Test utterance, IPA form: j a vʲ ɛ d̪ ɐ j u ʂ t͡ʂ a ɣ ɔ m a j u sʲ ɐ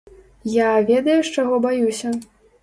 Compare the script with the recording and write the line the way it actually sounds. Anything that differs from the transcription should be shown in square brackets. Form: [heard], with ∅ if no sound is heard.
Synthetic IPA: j a vʲ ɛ d̪ ɐ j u ʂ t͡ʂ a ɣ ɔ [b] a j u sʲ ɐ